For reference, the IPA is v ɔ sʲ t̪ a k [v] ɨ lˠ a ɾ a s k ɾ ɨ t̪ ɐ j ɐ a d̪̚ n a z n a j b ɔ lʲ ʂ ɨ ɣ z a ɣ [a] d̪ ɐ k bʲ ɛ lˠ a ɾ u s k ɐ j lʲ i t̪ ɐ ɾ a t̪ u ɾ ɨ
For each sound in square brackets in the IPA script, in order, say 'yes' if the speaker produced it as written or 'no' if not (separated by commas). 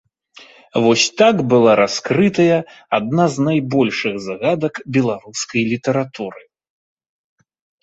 no, yes